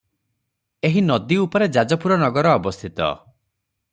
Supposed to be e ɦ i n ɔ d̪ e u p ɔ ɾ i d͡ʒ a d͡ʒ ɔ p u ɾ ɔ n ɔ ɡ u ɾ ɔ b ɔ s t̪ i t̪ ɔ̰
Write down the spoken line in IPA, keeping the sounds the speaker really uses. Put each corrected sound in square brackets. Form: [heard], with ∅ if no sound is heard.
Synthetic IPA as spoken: e ɦ i n ɔ d̪ [i] u p ɔ ɾ [e] d͡ʒ a d͡ʒ ɔ p u ɾ ɔ n ɔ ɡ [ɔ] ɾ [ɔː] b ɔ s [t̪ʰ] i t̪ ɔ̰